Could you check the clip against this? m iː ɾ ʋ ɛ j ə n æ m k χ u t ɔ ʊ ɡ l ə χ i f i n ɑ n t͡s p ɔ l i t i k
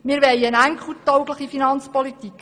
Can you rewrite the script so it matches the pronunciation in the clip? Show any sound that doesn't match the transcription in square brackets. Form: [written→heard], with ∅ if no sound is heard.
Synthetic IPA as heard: m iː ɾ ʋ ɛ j ə n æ [m→ŋ] k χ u t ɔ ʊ ɡ l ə χ i f i n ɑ n t͡s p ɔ l i t i k